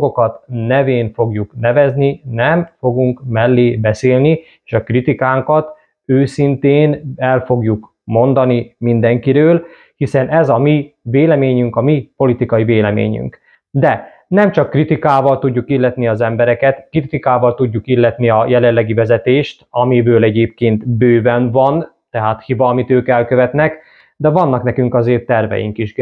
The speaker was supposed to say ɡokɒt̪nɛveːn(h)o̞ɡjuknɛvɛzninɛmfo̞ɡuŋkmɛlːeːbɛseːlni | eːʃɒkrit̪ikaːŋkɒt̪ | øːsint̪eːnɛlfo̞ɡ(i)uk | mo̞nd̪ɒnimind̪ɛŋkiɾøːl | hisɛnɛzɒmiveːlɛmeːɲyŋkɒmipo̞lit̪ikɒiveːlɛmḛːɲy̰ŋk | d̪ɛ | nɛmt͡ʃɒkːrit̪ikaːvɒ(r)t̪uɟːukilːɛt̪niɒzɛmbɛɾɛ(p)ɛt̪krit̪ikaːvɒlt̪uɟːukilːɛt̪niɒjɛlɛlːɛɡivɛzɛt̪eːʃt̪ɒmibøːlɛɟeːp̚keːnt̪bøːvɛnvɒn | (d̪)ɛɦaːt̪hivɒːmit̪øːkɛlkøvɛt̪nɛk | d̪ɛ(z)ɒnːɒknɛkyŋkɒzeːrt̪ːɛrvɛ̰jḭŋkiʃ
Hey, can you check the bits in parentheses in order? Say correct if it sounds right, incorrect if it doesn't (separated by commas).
incorrect, incorrect, incorrect, incorrect, incorrect, incorrect